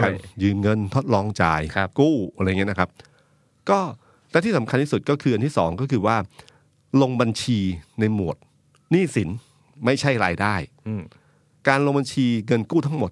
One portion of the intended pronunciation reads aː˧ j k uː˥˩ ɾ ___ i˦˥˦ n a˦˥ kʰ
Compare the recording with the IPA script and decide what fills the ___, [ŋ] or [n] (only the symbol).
ŋ